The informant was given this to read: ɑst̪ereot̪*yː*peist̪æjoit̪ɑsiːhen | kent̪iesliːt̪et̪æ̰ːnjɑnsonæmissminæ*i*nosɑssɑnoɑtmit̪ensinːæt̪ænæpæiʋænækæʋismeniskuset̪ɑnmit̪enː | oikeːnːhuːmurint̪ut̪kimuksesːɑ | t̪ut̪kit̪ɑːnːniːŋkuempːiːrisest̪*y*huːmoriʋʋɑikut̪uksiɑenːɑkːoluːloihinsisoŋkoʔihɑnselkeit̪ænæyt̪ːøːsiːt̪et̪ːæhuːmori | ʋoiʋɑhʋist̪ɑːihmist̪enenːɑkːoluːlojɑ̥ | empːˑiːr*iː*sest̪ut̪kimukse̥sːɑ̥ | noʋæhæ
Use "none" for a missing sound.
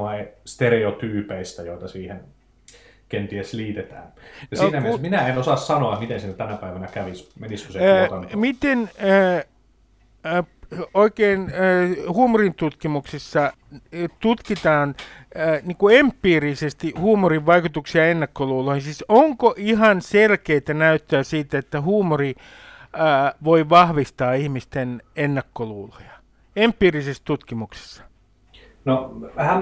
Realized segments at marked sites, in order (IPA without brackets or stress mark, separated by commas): yː, e, i, i